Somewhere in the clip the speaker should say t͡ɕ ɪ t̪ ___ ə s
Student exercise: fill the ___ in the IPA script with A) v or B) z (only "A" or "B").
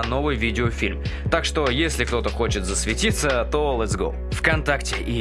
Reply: B